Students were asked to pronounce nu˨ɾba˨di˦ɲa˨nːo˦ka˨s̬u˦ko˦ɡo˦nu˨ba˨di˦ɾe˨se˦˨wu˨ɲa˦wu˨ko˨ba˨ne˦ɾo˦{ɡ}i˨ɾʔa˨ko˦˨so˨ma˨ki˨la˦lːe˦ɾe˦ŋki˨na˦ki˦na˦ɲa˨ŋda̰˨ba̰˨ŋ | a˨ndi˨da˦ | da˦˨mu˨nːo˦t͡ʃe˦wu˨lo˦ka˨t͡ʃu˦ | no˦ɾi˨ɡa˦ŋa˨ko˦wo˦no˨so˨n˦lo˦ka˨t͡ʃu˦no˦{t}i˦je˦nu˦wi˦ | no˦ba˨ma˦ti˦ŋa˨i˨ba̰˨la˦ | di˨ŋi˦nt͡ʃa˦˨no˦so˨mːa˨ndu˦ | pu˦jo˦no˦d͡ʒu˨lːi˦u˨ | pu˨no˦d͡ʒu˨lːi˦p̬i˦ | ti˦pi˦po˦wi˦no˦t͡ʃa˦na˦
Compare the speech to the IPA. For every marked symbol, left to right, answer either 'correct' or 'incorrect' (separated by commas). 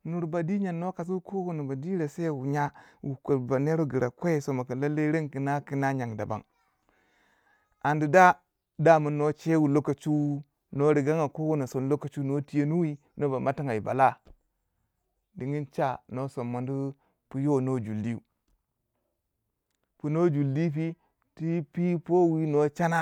correct, correct